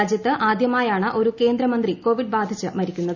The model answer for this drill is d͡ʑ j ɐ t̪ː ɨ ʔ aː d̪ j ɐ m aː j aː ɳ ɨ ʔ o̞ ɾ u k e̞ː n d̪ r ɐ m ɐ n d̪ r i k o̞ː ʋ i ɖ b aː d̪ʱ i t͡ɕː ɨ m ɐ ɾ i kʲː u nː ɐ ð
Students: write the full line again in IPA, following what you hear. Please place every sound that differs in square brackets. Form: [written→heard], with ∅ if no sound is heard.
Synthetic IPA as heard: d͡ʑ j ɐ t̪ː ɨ ʔ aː d̪ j ɐ m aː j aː ɳ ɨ ʔ o̞ ɾ u k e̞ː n d̪ [r→ɾ] ɐ m ɐ n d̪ r i k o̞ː ʋ i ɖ b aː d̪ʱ i t͡ɕː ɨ m ɐ ɾ i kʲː u nː ɐ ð